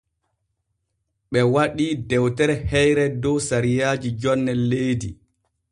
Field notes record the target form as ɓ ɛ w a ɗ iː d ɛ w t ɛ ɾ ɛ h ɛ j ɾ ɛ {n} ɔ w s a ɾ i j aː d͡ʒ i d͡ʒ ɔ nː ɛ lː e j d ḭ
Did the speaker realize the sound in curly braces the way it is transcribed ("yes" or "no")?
no